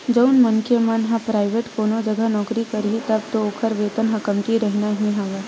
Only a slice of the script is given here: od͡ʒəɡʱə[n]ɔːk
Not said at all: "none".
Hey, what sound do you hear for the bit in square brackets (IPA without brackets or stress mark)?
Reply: n